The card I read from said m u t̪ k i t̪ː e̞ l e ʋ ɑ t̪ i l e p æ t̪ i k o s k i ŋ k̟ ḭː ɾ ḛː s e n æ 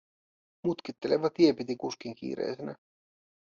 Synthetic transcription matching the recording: m u t̪ k i t̪ː e̞ l e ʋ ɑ t̪ i e p i t̪ i k u s k i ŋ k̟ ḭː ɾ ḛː s e n æ